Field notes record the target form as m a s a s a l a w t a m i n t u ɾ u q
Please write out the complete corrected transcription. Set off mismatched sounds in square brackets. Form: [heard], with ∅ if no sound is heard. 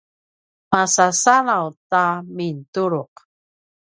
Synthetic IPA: m a s a s a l a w t a m i n t u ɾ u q